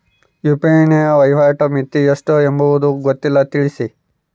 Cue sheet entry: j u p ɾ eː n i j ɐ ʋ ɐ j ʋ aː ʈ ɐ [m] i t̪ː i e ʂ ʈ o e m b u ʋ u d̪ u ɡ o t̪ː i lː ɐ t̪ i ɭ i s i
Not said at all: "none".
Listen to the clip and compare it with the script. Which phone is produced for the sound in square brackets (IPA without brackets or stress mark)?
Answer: m